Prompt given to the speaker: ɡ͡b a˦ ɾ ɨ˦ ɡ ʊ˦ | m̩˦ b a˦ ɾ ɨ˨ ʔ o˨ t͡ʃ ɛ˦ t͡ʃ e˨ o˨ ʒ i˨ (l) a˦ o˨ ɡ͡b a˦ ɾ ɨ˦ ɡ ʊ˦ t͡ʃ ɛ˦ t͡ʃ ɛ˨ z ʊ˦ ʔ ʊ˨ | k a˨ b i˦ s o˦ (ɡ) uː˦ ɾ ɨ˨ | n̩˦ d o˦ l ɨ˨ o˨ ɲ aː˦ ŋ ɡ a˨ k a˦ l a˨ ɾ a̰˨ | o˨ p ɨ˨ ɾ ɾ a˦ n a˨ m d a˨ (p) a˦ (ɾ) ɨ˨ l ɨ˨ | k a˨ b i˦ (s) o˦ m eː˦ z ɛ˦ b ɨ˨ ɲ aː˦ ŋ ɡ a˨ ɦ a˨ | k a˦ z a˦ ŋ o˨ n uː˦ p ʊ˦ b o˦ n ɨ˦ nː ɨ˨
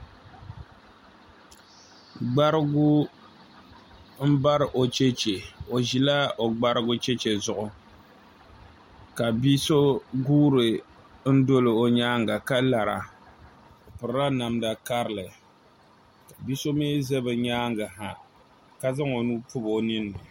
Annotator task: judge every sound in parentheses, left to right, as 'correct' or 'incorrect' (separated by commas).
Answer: correct, correct, incorrect, correct, correct